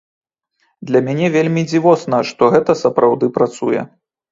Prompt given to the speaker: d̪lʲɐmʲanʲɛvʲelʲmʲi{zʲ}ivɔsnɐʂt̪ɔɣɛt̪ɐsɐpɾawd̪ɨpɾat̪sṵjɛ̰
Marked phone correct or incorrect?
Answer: incorrect